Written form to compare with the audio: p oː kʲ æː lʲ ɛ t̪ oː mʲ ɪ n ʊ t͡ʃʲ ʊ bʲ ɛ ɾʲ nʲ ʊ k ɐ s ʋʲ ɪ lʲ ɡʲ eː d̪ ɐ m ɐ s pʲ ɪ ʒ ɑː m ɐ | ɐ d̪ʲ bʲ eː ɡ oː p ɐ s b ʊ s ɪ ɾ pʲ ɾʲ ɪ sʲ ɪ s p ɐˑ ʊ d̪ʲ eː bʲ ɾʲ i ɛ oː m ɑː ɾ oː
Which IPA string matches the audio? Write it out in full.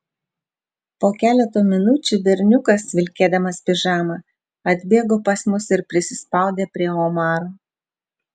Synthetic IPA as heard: p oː kʲ æː lʲ ɛ t̪ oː mʲ ɪ n ʊ t͡ʃʲ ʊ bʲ ɛ ɾʲ nʲ ʊ k ɐ s ʋʲ ɪ lʲ kʲ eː d̪ ɐ m ɐ s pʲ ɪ ʒ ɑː m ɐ | ɐ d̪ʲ bʲ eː ɡ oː p ɐ s m ʊ s ɪ ɾ pʲ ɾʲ ɪ sʲ ɪ s p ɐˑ ʊ d̪ʲ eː pʲ ɾʲ i ɛ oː m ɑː ɾ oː